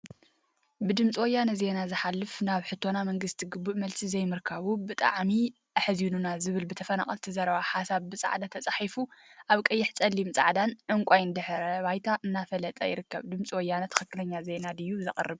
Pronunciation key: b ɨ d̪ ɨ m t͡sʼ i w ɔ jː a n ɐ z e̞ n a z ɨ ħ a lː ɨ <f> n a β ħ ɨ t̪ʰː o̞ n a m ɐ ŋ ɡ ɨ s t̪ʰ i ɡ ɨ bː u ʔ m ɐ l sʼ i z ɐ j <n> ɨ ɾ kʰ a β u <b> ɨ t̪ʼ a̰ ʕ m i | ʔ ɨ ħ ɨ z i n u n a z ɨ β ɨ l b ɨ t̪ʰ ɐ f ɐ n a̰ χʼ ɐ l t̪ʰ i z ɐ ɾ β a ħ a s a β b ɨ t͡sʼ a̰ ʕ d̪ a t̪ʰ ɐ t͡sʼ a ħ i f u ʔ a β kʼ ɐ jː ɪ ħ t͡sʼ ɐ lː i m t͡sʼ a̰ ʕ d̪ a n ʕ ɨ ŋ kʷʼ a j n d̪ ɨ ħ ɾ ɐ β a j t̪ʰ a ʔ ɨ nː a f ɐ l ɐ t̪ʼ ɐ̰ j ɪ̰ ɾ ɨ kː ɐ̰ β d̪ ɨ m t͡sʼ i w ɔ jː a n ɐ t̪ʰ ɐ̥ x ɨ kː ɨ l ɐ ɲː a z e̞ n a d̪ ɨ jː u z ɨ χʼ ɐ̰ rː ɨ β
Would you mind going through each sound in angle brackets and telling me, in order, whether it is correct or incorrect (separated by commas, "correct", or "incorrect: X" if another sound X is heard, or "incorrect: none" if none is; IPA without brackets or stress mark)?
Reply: correct, incorrect: m, correct